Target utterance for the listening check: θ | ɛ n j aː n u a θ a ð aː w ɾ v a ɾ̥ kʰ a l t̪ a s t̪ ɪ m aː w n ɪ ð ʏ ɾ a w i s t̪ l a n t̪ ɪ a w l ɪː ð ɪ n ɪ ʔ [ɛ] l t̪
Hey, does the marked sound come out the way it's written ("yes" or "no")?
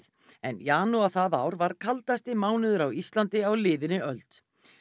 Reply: no